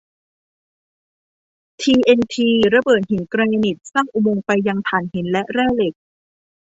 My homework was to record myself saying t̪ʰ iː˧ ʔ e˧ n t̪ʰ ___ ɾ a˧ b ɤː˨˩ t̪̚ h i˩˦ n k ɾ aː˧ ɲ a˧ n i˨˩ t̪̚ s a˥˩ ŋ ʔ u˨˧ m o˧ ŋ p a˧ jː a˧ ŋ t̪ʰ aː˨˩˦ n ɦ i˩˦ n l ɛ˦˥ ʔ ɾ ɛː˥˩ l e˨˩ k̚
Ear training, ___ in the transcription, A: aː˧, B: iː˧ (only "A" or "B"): B